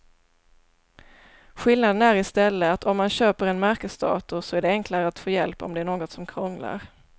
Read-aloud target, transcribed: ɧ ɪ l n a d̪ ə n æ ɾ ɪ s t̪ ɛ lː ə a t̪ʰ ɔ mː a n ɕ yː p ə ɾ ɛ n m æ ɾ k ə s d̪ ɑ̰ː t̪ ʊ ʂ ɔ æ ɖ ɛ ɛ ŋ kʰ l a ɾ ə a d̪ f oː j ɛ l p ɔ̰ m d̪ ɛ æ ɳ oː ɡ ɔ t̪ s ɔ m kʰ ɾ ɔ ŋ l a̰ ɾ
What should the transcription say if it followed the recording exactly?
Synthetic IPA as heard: ɧ ɪ l n a d̪ ə n æ ɾ ɪ s t̪ ɛ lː ə a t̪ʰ ɔ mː a n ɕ øː p ə ɾ ɛ n m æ ɾ k ə s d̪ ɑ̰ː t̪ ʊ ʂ ɔ æ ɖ ɛ ɛ ŋ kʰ l a ɾ ə a t̪ f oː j ɛ l p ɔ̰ m d̪ ɛ æ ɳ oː ɡ ɔ t̪ s ɔ m kʰ ɾ ɔ ŋ l a̰ ɾ

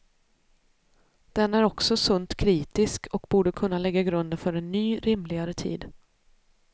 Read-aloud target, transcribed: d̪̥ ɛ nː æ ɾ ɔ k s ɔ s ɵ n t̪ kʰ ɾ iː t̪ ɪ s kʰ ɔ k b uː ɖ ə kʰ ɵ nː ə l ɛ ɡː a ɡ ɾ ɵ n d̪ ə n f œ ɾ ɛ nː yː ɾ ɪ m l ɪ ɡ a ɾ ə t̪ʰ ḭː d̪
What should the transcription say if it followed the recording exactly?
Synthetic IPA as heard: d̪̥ ɛ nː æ ɾ ɔ k s ɔ s ɵ n t̪ kʰ ɾ iː t̪ ɪ s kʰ ɔ k b uː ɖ ə kʰ ɵ nː a l ɛ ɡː a ɡ ɾ ɵ n d̪ ə n f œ ɾ ɛ nː yː ɾ ɪ m l ɪ ɡ a ɾ ə t̪ʰ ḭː d̪

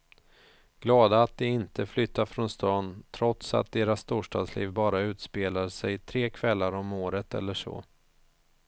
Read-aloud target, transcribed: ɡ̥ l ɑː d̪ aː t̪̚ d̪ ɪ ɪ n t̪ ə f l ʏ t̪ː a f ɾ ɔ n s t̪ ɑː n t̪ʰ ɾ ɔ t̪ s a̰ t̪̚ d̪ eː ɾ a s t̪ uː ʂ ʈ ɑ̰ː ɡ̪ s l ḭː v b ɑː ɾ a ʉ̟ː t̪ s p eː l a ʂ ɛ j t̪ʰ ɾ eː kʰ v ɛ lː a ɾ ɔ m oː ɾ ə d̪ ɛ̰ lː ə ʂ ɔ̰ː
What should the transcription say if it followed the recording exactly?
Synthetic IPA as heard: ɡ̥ l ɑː d̪ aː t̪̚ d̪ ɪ ɪ n t̪ ə f l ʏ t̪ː a f ɾ ɔ n s t̪ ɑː n t̪ʰ ɾ ɔ t̪ s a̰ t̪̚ d̪ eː ɾ a s t̪ uː ʂ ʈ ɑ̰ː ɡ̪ s l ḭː v b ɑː ɾ a ʉ̟ː t̪ s p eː l a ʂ ɛ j t̪ʰ ɾ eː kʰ v ɛ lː a ɾ ɔ m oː ɾ ə t̪ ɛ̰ lː ə ʂ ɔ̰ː

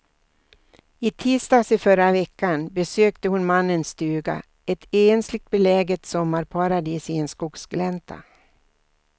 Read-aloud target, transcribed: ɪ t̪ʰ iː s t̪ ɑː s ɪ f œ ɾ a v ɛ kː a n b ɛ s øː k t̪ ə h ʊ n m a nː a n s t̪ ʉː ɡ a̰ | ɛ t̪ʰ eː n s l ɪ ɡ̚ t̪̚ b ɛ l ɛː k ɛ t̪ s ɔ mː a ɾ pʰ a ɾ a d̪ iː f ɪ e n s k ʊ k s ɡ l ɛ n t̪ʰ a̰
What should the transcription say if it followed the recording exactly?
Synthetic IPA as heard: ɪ t̪ʰ iː s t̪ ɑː s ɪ f œ ɾ a v ɛ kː a n b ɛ s øː k t̪ ə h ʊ n m a nː ə n s t̪ ʉː ɡ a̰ | ɛ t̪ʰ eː n s l ɪ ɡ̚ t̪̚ b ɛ l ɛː ɡ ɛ t̪ s ɔ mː a ɾ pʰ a ɾ a d̪ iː s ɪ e n s k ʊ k s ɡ l ɛ n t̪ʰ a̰

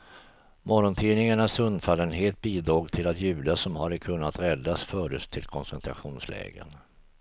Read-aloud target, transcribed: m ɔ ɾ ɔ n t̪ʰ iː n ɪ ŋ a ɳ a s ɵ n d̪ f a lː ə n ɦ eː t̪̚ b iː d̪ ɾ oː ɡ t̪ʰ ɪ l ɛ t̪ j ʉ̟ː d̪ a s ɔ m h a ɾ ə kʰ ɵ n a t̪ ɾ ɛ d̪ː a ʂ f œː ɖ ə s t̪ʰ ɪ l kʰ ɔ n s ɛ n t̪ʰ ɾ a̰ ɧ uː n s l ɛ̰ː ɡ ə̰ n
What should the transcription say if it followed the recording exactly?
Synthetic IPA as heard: m ɔ ɾ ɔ n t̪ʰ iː n ɪ ŋ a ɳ a s ɵ n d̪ f a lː ə n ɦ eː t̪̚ b iː d̪ ɾ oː ɡ t̪ʰ ɪ l a t̪ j ʉ̟ː d̪ a s ɔ m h a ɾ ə kʰ ɵ nː a t̪ ɾ ɛ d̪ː a s f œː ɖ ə s t̪ʰ ɪ l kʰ ɔ n s ɛ n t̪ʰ ɾ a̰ ɧ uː n s l ɛ̰ː ɡ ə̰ n

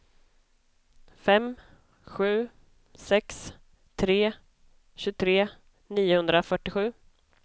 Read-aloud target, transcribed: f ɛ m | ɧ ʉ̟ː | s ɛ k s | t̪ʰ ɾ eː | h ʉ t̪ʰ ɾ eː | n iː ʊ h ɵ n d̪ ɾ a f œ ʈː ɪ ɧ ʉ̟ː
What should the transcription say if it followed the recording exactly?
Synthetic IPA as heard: f ɛ m | ɧ ʉ̟ː | s ɛ k s | t̪ʰ ɾ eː | ɕ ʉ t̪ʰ ɾ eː | n iː ʊ h ɵ n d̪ ɾ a f œ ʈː ɪ ɧ ʉ̟ː

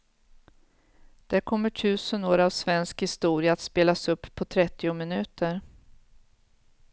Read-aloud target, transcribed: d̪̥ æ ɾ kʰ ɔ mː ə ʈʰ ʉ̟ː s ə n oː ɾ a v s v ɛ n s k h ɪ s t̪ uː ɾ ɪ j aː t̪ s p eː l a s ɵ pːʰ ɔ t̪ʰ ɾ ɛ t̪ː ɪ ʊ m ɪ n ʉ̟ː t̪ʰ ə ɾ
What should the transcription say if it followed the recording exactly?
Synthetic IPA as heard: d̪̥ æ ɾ kʰ ɔ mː ə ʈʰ ʉ̟ː s ə n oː ɾ a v s v ɛ n s k h ɪ s t̪ uː ɾ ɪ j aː t̪ s p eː l a s ɵ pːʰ ɔ t̪ʰ ɾ ɛ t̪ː ɪ ʊ m ɪ n ʉ̟ː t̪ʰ ə ɾ

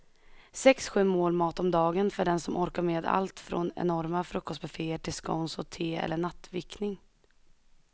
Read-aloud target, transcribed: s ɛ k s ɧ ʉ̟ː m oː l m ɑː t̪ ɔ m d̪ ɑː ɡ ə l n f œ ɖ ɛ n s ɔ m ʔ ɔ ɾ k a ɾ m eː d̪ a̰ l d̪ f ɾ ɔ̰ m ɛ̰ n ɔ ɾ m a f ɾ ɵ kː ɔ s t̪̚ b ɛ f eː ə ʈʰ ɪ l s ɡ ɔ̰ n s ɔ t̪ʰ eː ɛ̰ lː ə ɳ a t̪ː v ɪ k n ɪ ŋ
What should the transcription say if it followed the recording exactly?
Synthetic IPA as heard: s ɛ k s ɧ ʉ̟ː m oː l m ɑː t̪ ɔ m d̪ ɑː ɡ ə n f œ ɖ ɛ n s ɔ m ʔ ɔ ɾ k a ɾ m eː d̪ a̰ l t̪ f ɾ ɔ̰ n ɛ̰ n ɔ ɾ m a f ɾ ɵ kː ɔ s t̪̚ b ɛ f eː ə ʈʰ ɪ l s k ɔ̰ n s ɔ t̪ʰ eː ɛ̰ lː ə ɳ a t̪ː v ɪ k n ɪ ŋ

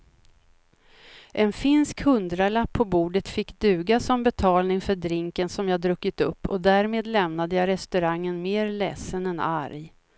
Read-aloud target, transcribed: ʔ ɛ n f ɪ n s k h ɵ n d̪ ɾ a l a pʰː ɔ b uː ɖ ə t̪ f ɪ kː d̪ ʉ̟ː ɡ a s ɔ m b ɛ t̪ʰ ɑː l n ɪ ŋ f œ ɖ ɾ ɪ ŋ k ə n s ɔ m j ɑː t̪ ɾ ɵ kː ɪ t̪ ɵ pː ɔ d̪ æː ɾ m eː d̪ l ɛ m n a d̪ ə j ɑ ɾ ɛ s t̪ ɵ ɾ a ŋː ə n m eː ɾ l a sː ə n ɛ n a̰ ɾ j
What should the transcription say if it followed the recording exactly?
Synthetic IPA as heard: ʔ ɛ n f ɪ n s k h ɵ n d̪ ɾ a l a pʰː ɔ b uː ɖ ə t̪ f ɪ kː d̪ ʉ̟ː ɡ a s ɔ m b ɛ t̪ʰ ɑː l n ɪ ŋ f œ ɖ ɾ ɪ ŋ k ə n s ɔ m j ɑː d̪ ɾ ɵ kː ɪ t̪ ɵ pː ɔ d̪ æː ɾ m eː d̪ l ɛ m n a d̪ ə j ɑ ɾ ɛ s t̪ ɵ ɾ a ŋː ə n m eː ɾ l ɛ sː ə n ɛ n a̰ ɾ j

